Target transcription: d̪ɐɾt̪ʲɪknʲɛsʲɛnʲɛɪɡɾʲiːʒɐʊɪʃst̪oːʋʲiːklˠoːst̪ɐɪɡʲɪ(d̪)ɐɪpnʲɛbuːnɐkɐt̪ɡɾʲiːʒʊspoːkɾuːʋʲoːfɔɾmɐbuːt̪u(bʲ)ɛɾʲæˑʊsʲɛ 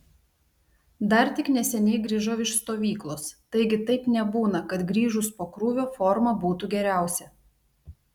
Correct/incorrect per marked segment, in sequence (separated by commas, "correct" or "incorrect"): incorrect, incorrect